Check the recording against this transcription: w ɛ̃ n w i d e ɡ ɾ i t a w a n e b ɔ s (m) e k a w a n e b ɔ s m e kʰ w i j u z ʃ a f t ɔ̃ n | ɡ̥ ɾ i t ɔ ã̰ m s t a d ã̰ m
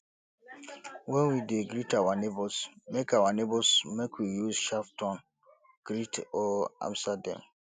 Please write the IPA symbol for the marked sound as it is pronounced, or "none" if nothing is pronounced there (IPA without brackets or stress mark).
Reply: m